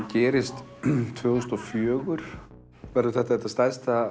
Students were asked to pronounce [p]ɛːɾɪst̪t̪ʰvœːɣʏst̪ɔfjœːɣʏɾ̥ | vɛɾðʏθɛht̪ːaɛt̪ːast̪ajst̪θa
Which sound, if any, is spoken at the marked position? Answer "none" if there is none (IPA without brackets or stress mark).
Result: c